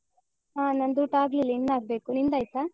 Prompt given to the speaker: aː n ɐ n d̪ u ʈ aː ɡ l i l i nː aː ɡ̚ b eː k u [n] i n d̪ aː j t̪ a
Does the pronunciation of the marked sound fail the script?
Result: no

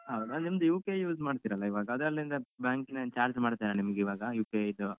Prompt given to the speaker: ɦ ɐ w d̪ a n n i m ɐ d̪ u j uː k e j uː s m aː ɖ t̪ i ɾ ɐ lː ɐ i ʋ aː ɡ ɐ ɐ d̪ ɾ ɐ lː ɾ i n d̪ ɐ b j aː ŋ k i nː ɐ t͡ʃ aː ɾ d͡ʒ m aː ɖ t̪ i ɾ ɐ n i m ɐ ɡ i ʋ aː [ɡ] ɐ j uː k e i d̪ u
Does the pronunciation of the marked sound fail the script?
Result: no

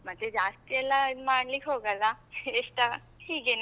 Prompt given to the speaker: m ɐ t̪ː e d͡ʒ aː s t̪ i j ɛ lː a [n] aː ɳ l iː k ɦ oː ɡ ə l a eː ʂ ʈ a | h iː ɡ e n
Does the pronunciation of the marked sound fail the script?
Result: yes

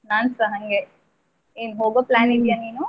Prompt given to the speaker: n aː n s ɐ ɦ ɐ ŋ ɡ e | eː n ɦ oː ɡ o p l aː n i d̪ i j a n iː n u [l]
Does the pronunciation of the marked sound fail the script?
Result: yes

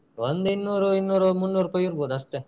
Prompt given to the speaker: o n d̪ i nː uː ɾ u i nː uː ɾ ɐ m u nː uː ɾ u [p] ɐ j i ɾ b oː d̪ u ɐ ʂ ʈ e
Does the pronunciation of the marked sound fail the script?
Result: no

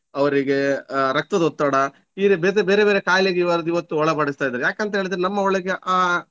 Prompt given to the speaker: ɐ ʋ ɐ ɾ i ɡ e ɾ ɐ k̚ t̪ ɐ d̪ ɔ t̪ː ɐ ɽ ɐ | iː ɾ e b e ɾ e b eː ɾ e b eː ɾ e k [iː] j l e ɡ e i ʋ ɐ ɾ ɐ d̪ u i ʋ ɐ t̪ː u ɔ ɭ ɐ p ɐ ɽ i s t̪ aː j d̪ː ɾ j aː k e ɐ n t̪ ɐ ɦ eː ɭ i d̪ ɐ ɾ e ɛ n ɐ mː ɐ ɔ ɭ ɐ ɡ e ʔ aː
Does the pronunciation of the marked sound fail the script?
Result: yes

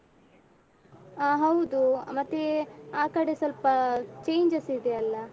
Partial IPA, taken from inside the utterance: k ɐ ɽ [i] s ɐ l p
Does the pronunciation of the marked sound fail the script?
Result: yes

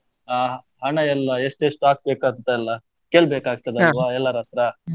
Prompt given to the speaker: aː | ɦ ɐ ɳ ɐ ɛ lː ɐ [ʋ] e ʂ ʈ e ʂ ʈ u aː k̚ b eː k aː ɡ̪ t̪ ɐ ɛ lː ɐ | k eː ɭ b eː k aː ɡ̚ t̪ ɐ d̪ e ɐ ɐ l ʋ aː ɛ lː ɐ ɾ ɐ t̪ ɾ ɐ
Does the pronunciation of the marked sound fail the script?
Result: yes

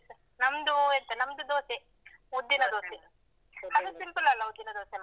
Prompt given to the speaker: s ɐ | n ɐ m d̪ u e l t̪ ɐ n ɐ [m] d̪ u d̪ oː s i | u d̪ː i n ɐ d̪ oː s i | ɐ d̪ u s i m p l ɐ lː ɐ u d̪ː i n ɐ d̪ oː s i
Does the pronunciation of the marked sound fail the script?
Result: no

